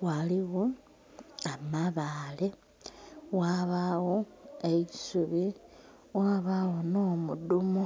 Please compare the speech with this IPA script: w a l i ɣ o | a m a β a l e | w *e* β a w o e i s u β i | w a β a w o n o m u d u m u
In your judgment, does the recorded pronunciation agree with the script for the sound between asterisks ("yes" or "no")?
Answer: no